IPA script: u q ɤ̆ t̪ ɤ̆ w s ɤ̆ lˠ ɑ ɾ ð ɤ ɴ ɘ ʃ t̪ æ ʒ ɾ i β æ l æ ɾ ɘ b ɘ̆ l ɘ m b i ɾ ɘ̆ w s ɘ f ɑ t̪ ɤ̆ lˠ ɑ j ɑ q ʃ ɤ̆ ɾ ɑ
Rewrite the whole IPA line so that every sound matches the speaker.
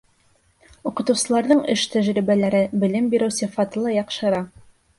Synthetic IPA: u q ɤ̆ t̪ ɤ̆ w s ɤ̆ lˠ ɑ ɾ ð ɤ ɴ ɘ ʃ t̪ æ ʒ ɾ i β æ l æ ɾ ɘ b ɘ̆ l ɘ m b i ɾ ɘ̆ w s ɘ f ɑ t̪ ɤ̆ lˠ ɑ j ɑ q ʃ ɤ̆ ɾ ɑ